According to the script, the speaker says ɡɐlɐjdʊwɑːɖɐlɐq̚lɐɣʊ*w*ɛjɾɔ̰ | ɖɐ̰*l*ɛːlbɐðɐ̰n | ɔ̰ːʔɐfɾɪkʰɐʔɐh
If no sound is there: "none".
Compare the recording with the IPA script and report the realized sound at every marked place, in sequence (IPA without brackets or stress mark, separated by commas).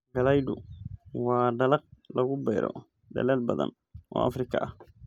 b, l